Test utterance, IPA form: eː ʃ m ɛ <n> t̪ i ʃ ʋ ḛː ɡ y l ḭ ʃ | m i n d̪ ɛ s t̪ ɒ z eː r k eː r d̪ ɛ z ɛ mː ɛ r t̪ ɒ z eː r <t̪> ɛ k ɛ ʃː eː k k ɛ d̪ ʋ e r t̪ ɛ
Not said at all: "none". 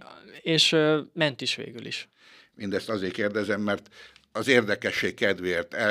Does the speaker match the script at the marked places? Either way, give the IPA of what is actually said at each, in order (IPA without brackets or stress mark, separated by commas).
n, d̪